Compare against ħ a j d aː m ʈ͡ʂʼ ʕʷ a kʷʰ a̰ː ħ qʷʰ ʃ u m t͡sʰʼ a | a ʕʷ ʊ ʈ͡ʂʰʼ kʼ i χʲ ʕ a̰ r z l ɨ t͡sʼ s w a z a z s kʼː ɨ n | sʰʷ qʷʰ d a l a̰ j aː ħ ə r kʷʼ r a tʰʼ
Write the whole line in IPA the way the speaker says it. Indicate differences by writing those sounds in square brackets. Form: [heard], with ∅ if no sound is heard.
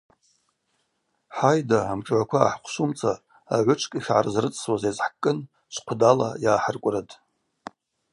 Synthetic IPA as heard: ħ a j d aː m ʈ͡ʂʼ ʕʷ a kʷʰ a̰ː ħ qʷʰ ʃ u m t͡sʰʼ a | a ʕʷ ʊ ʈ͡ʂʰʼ kʼ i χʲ ʕ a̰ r z [r] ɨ t͡sʼ s w a z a z [ħ] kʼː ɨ n | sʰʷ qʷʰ d a l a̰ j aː ħ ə r kʷʼ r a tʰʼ